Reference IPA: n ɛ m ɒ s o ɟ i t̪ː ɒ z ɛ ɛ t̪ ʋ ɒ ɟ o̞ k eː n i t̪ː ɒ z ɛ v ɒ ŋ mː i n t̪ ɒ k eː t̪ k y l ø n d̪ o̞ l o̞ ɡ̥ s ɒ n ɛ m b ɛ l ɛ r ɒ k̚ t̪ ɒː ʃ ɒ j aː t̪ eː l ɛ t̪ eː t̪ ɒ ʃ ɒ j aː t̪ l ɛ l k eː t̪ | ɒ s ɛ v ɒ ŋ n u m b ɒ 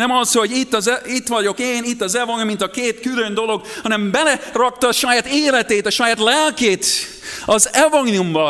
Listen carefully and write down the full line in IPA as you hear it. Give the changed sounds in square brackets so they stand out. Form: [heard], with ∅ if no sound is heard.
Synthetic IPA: n ɛ m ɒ s o ɟ i t̪ː ɒ z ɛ [i] t̪ ʋ ɒ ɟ o̞ k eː n i t̪ː ɒ z ɛ v ɒ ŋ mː i n t̪ ɒ k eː t̪ k y l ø n d̪ o̞ l o̞ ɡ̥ [h] ɒ n ɛ m b ɛ l ɛ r ɒ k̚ t̪ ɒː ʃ ɒ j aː t̪ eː l ɛ t̪ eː t̪ ɒ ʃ ɒ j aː t̪ l ɛ l k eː t̪ | ɒ [z] ɛ v ɒ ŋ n u m b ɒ